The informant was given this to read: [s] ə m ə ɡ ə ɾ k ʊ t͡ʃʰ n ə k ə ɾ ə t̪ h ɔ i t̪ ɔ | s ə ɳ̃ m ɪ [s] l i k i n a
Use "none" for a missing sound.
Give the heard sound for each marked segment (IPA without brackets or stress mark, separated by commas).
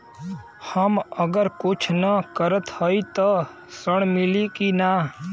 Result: h, none